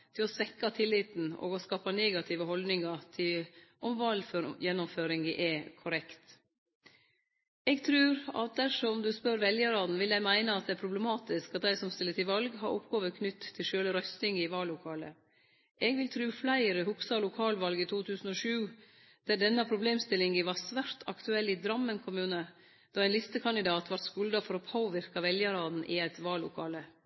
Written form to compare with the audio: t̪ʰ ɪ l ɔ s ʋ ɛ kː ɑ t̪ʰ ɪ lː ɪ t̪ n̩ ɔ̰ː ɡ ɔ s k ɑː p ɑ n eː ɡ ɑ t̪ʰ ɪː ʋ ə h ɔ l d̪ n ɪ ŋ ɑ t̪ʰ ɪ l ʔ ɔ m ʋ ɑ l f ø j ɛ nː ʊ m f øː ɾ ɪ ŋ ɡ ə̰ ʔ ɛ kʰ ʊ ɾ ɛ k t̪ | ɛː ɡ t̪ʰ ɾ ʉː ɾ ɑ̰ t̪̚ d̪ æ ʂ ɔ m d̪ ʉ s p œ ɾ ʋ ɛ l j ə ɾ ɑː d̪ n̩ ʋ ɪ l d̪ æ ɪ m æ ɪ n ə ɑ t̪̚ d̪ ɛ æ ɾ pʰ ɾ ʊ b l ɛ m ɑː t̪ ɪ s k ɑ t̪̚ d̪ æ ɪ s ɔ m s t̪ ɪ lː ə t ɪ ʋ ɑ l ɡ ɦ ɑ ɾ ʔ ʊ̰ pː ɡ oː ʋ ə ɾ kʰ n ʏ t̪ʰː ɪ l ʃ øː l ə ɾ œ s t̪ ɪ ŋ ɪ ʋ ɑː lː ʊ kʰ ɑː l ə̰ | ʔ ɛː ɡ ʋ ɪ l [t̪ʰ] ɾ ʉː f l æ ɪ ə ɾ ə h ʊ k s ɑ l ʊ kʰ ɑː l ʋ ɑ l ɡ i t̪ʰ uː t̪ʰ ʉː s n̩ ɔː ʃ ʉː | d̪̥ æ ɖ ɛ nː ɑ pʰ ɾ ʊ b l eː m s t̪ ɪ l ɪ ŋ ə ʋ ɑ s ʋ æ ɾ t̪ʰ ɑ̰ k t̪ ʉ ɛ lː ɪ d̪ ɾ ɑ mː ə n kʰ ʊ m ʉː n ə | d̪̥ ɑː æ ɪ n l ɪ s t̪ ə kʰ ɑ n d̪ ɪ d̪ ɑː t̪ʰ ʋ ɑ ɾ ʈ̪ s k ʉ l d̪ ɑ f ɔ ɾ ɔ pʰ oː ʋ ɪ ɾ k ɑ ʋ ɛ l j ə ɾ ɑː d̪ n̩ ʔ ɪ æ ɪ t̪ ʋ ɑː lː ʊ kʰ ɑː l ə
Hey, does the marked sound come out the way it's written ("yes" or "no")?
yes